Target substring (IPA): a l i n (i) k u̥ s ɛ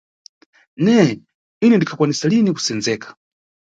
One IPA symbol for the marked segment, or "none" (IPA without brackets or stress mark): i